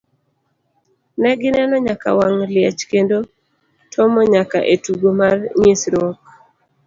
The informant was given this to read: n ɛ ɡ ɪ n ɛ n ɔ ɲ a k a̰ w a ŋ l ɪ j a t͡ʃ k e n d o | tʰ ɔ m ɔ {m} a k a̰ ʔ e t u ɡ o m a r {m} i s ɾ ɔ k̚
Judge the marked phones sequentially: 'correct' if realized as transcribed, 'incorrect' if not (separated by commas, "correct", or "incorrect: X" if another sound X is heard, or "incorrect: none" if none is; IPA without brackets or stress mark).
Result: incorrect: ɲ, incorrect: ɲ